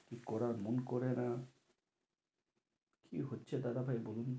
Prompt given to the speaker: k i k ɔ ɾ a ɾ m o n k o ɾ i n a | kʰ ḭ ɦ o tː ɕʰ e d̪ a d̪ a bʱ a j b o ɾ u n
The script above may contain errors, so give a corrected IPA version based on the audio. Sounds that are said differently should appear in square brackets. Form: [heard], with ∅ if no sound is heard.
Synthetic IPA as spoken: k i k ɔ ɾ a ɾ m o n k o ɾ [e] n a | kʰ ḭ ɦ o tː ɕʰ e d̪ a d̪ a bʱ a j b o [l] u n